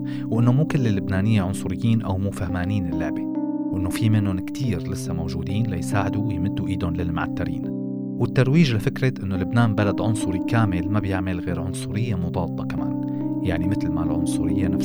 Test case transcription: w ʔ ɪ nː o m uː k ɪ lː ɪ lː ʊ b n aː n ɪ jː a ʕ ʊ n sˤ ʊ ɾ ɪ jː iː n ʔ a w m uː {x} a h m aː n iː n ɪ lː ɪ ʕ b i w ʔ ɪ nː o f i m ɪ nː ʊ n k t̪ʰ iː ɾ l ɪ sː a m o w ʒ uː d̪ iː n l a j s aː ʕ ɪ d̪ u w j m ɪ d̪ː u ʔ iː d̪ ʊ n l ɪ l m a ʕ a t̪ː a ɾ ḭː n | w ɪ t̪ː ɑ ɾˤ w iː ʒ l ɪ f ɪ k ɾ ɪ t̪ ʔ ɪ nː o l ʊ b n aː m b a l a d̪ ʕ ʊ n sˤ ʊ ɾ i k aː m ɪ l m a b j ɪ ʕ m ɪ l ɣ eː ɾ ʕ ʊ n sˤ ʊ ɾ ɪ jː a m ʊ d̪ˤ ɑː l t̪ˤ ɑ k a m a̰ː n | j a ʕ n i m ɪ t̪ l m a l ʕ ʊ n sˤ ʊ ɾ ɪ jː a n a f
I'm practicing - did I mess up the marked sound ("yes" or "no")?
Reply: yes